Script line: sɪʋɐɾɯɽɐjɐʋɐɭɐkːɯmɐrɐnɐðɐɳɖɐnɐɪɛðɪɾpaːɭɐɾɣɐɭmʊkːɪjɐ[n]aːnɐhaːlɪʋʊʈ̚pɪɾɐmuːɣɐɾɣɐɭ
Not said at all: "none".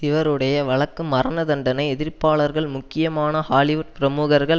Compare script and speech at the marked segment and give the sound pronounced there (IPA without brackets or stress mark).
m